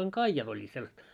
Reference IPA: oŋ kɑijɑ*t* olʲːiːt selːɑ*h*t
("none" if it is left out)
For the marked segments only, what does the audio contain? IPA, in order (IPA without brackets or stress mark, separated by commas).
t, s